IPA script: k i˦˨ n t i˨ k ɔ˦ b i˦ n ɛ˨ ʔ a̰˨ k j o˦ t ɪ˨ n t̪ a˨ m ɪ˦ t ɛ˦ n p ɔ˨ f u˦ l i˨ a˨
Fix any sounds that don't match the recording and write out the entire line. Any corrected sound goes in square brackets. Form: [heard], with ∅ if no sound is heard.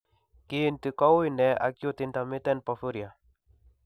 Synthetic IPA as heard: k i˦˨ n t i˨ k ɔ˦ [w] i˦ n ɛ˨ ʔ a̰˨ k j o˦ t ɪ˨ n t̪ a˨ m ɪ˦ t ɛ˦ n p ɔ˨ f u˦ [ɾ] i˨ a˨